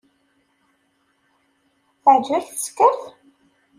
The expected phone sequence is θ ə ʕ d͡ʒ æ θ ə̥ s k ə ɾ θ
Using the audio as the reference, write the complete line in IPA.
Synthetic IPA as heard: θ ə ʕ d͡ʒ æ θ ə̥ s k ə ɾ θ